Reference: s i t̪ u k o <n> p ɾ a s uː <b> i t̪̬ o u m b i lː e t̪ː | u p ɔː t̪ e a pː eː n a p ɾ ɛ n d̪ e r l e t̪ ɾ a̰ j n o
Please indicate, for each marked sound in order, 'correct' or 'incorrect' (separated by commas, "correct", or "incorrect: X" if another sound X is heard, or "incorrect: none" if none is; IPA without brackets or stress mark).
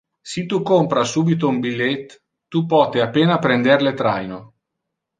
incorrect: m, correct